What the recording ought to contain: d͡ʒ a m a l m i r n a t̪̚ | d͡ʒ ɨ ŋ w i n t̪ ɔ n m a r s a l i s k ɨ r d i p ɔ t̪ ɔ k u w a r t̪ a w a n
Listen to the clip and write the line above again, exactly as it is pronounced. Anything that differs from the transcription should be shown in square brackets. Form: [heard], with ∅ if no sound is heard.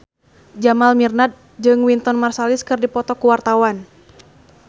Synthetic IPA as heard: d͡ʒ a m a l m i r n a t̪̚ | d͡ʒ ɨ ŋ w i n t̪ ɔ n m a r s a l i s k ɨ r d i p ɔ t̪ ɔ k u w a r t̪ a w a n